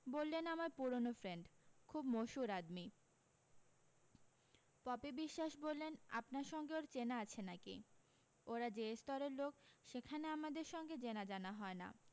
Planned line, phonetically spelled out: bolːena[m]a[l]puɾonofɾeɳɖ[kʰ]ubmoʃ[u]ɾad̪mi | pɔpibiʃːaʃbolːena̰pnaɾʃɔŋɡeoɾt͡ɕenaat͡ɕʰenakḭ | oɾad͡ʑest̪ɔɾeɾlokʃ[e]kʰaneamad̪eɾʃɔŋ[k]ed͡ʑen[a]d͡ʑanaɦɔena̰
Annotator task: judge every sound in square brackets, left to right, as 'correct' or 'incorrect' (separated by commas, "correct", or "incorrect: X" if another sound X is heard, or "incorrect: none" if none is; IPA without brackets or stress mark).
correct, incorrect: ɾ, correct, correct, correct, incorrect: ɡ, correct